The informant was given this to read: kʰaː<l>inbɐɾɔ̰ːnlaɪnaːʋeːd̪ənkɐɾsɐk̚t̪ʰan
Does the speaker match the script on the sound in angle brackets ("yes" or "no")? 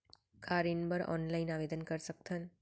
no